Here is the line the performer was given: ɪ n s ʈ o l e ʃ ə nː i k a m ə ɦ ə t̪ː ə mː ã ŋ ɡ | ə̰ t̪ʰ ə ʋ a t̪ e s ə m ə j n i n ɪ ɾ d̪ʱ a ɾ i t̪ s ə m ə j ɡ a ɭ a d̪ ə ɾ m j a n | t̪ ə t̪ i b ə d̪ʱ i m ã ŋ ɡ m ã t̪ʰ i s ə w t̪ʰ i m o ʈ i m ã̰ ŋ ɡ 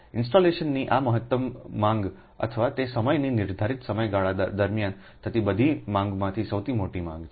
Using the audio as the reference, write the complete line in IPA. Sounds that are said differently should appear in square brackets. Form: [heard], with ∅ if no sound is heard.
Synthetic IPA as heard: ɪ n s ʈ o l e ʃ ə nː i [ʔ] a m ə ɦ ə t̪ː ə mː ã ŋ ɡ | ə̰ t̪ʰ ə ʋ a t̪ e s ə m ə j n i n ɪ ɾ d̪ʱ a ɾ i t̪ s ə m ə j ɡ a ɭ a d̪ ə ɾ m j a n | t̪ ə t̪ i b ə d̪ʱ i m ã ŋ ɡ m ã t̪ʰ i s ə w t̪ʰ i m o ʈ i m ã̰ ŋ ɡ

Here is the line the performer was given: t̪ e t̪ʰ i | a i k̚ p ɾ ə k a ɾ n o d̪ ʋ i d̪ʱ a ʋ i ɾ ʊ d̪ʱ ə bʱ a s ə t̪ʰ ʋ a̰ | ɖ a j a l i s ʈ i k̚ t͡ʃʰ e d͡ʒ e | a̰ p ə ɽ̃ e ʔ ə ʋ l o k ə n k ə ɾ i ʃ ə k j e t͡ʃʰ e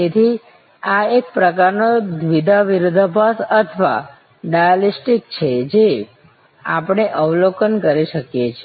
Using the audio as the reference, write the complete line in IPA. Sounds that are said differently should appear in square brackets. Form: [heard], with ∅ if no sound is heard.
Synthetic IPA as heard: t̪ e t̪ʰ i | a [e] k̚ p ɾ ə k a ɾ n o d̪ ʋ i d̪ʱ a ʋ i ɾ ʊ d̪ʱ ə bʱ a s ə t̪ʰ ʋ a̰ | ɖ a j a l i s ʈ i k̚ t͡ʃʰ e d͡ʒ e | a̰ p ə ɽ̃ e ʔ ə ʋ l o k ə n k ə ɾ i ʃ ə k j e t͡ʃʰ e

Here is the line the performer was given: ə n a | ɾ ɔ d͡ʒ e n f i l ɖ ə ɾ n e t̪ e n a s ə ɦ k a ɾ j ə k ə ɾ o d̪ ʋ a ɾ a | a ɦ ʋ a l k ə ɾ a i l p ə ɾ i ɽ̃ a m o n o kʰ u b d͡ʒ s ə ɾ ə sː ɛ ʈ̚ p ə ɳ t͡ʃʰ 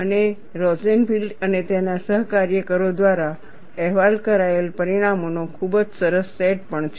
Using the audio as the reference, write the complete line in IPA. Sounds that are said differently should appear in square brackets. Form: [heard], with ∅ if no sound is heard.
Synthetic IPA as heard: ə n [e] | ɾ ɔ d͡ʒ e n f i l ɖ ə [∅] n e t̪ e n a s ə ɦ k a ɾ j ə k ə ɾ o d̪ ʋ a ɾ a | [ɛ] ɦ ʋ a l k ə ɾ a [e] l p ə ɾ i ɽ̃ a m o n o kʰ u b d͡ʒ s ə ɾ ə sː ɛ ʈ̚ p ə ɳ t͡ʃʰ

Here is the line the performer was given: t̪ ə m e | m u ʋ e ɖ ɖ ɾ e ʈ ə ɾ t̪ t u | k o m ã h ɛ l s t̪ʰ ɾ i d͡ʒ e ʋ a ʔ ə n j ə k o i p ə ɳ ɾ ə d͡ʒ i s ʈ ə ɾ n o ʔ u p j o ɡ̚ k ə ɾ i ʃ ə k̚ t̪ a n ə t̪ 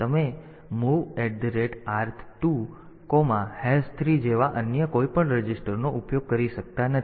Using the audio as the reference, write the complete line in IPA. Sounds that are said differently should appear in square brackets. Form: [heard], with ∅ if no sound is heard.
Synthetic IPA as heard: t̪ ə m e | m u ʋ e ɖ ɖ ɾ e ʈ [a] ɾ [t̪ʰ] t u | k o m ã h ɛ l s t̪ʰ ɾ i d͡ʒ e ʋ a ʔ ə n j ə k o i p ə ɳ ɾ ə d͡ʒ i s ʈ ə ɾ n o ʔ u p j o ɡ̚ k ə ɾ i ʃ ə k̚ t̪ a n ə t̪

